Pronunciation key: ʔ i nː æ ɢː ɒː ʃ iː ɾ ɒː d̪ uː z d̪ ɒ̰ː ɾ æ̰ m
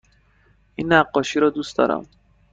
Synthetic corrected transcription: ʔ i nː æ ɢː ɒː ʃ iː ɾ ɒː d̪ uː s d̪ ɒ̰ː ɾ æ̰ m